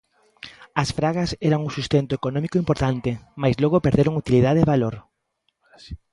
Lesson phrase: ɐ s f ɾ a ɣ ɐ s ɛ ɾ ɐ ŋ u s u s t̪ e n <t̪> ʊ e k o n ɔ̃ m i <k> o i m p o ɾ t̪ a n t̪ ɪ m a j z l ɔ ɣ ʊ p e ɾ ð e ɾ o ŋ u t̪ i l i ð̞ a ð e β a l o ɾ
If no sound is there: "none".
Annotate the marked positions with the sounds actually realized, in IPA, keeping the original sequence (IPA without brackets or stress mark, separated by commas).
t̪, k